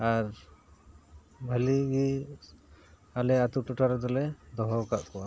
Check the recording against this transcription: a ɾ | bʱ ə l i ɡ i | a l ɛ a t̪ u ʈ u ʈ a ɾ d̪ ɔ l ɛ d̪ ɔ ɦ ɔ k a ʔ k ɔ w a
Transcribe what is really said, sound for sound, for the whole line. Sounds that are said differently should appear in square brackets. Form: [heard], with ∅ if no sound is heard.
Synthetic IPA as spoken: a ɾ | bʱ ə l i ɡ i | a l ɛ a t̪ u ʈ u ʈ a ɾ d̪ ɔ l ɛ d̪ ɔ ɦ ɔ k a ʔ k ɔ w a

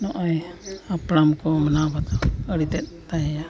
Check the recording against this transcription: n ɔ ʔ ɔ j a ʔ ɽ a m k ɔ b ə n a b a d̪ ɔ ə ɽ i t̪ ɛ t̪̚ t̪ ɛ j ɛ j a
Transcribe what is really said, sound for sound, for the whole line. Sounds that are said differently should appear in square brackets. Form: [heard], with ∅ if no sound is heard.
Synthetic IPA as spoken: n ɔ ʔ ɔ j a [p] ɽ a m k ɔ [m] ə n a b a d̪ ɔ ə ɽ i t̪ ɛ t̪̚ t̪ [a] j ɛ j a

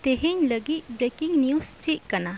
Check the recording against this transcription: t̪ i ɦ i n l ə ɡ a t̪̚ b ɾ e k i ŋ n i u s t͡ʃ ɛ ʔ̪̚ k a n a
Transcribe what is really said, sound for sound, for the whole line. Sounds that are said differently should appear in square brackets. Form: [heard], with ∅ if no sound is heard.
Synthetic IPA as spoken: t̪ [e] ɦ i [ɲ] l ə ɡ [i] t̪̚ b ɾ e k i ŋ n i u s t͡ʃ [i] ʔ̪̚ k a n a

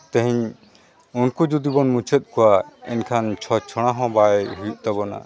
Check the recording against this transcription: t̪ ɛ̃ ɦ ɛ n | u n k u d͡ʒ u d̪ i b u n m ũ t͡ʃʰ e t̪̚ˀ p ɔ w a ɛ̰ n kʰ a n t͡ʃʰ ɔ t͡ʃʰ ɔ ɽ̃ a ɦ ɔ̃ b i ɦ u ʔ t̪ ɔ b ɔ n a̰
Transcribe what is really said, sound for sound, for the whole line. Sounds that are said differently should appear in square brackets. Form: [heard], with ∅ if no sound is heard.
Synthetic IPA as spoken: t̪ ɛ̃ ɦ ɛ [ɲ] | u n k u d͡ʒ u d̪ i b [ɔ] n m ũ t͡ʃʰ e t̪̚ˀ [k] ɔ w a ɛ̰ n kʰ a n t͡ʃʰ ɔ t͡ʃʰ ɔ ɽ̃ a ɦ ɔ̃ b [a] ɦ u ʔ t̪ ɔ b ɔ n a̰

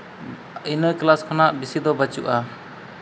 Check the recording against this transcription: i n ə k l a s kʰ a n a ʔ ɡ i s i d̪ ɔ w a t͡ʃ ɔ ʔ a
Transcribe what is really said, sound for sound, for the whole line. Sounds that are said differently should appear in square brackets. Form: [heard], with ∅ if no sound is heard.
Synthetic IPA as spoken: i n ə k l a s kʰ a n a ʔ [b] i s i d̪ ɔ [b] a t͡ʃ [u] ʔ a

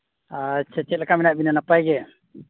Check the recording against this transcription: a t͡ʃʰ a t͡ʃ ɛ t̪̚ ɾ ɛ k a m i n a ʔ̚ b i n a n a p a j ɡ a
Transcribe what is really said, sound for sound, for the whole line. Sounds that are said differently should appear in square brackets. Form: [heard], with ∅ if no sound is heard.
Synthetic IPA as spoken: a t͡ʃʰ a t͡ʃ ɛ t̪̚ [l] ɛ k a m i n a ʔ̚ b i n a n a p a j ɡ [ɛ]

